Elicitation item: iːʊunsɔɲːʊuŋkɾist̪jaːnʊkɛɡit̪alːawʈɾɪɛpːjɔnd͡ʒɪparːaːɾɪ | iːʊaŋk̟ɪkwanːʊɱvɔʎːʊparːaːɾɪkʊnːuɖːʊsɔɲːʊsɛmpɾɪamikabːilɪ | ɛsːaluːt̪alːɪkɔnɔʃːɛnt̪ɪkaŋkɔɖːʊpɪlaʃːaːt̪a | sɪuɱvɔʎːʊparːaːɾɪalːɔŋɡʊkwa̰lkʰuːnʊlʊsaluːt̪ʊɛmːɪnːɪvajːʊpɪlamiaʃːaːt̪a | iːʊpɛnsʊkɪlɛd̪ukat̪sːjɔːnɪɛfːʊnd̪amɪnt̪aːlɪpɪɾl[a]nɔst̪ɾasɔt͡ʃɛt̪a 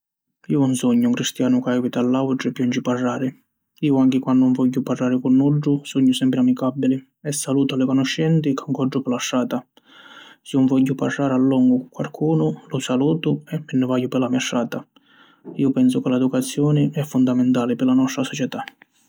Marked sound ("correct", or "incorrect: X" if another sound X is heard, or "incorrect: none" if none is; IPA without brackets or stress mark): correct